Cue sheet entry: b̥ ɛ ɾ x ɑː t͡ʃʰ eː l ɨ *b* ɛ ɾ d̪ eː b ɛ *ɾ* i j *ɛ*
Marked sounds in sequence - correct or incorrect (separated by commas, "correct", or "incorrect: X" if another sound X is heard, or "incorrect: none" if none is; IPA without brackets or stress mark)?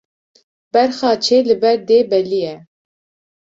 correct, incorrect: l, correct